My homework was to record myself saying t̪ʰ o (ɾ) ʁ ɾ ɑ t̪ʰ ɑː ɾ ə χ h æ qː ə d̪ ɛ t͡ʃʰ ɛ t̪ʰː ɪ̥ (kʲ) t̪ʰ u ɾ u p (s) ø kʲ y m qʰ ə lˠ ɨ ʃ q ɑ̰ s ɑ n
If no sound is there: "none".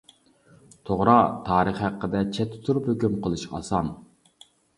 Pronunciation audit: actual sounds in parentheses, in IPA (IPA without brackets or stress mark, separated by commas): none, none, h